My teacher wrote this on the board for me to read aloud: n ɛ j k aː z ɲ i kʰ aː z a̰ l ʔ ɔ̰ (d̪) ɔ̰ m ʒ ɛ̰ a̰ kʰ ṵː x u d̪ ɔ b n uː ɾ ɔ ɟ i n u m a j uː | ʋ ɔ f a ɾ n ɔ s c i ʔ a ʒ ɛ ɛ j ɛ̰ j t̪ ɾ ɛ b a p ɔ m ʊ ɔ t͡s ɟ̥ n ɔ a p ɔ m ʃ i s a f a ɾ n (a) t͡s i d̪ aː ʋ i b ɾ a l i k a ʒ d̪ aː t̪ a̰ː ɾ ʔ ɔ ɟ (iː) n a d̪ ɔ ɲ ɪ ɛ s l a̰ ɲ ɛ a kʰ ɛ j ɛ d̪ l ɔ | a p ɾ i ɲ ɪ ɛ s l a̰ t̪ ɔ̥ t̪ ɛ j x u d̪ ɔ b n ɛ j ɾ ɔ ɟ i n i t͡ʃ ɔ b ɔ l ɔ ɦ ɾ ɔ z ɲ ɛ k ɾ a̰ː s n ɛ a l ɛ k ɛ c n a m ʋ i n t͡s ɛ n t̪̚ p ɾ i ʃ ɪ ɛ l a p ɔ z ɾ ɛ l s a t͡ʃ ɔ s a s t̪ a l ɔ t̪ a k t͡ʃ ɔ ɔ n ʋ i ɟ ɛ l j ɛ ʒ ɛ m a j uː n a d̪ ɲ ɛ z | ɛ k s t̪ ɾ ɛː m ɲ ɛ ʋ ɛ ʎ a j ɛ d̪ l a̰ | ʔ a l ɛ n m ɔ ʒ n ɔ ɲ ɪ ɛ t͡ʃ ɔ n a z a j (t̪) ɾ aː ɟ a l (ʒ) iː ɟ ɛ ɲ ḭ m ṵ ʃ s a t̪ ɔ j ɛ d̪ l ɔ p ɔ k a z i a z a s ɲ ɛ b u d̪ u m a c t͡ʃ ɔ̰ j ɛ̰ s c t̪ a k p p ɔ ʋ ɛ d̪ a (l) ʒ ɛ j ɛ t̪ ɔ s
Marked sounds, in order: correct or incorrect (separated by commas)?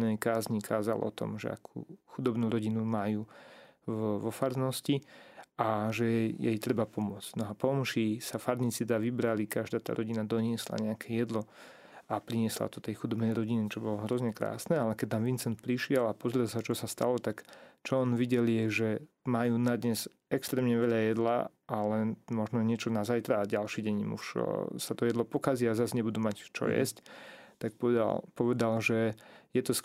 incorrect, incorrect, incorrect, correct, incorrect, correct